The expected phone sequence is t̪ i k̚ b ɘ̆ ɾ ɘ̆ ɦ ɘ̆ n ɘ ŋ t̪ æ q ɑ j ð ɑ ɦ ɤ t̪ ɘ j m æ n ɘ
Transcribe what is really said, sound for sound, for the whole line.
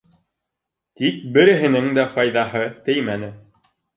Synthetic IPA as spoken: t̪ i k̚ b ɘ̆ ɾ ɘ̆ ɦ ɘ̆ n ɘ ŋ d̪ æ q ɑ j ð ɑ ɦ ɤ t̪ ɘ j m æ n ɘ